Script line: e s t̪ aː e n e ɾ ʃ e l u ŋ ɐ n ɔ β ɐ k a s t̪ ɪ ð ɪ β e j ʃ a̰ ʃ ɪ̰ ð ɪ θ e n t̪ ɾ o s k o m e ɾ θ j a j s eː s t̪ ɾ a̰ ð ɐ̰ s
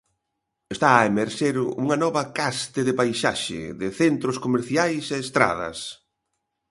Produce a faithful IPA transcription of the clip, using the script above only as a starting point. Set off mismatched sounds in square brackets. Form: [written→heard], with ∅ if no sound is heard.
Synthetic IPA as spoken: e s t̪ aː e [n→m] e ɾ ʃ e [l→ɾ] u ŋ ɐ n ɔ β ɐ k a s t̪ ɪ ð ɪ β [e→a] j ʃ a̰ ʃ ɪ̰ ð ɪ θ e n t̪ ɾ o s k o m e ɾ θ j a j s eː s t̪ ɾ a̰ ð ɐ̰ s